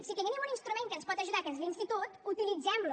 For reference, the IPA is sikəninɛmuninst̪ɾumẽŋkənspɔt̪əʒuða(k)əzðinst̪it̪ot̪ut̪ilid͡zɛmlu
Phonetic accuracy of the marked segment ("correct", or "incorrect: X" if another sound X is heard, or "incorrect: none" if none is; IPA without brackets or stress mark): correct